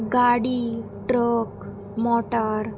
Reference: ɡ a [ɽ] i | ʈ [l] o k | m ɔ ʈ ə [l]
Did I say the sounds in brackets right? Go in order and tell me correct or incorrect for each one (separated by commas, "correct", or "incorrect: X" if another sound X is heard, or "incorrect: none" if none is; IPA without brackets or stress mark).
correct, incorrect: ɾ, incorrect: ɾ